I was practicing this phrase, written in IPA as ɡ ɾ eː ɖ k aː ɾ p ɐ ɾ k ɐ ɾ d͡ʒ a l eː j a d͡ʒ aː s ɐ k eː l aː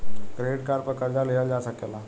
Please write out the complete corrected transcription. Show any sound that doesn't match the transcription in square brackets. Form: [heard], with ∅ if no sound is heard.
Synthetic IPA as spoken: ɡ ɾ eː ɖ k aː ɾ p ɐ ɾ k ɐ ɾ d͡ʒ a l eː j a d͡ʒ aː s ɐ k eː l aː